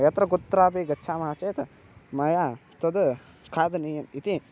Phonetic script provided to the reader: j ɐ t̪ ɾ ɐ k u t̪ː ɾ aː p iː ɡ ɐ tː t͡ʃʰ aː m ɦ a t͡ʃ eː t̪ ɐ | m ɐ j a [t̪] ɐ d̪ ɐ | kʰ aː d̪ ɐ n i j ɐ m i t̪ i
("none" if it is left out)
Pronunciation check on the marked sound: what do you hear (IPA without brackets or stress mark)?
t̪